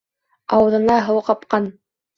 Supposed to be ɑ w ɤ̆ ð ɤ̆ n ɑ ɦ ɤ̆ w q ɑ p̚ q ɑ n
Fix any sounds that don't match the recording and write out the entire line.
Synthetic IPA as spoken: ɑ w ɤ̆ ð ɤ̆ n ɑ ɦ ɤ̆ w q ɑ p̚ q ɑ n

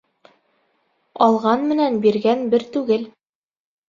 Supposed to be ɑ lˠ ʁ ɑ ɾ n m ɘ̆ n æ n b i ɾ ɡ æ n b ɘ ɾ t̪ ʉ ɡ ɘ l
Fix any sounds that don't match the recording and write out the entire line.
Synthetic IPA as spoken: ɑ lˠ ʁ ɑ n m ɘ̆ n æ n b i ɾ ɡ æ n b ɘ ɾ t̪ ʉ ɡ ɘ l

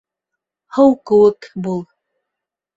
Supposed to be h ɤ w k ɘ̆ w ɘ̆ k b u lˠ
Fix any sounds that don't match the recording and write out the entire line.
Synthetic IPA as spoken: h ɤ w k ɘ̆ w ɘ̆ k b u lˠ

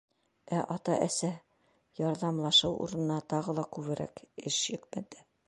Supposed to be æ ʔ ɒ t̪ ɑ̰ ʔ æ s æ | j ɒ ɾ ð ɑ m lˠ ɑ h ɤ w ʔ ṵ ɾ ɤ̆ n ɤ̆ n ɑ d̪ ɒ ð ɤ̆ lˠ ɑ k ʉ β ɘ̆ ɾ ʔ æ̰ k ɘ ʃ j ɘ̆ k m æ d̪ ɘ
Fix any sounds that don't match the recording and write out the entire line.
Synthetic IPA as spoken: æ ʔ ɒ t̪ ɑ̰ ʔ æ s æ | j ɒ ɾ ð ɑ m lˠ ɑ ʃ ɤ w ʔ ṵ ɾ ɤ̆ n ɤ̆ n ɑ t̪ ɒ ʁ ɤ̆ lˠ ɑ k ʉ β ɘ̆ ɾ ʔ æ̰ k ɘ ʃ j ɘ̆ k m æ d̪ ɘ

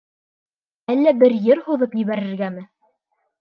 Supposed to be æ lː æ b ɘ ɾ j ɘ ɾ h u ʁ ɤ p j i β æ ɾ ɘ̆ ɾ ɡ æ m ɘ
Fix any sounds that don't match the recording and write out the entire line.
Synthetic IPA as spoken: æ lː æ b ɘ ɾ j ɘ ɾ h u ð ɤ p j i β æ ɾ ɘ̆ ɾ ɡ æ m ɘ

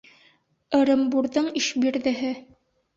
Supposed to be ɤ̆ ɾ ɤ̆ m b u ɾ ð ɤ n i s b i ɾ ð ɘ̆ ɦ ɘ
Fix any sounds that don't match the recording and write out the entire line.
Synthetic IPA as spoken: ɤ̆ ɾ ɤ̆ m b u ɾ ð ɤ ɴ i ʃ b i ɾ ð ɘ̆ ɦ ɘ

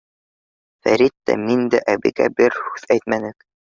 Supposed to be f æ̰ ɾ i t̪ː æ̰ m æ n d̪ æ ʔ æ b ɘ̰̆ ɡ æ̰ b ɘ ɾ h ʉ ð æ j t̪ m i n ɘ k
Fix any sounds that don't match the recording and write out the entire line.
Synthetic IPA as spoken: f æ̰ ɾ i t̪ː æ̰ m i n d̪ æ ʔ æ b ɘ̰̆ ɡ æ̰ b ɘ ɾ h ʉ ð æ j t̪ m æ n ɘ k

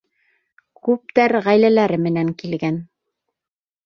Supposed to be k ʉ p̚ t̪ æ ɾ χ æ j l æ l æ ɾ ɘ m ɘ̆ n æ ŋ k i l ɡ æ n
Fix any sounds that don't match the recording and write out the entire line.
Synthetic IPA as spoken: k ʉ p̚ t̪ æ ɾ ʁ æ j l æ l æ ɾ ɘ m ɘ̆ n æ ŋ k i l ɡ æ n

